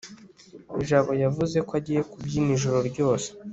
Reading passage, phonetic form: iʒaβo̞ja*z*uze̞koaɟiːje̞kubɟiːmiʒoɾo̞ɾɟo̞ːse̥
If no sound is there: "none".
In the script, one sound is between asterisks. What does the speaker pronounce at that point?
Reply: v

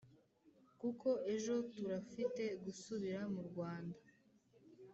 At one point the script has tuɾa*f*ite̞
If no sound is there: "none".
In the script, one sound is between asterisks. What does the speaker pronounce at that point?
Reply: f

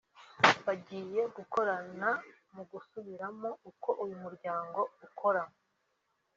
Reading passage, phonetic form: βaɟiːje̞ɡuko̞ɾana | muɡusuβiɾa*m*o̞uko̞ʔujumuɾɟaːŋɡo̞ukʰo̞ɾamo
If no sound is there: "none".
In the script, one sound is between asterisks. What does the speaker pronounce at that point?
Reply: m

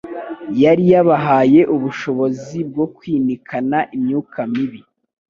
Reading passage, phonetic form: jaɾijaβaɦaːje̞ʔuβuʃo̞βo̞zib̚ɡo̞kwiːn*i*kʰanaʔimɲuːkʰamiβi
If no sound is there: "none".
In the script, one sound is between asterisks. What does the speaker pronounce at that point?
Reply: i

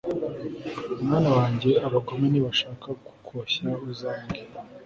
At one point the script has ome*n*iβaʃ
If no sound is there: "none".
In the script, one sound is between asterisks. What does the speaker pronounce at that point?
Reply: n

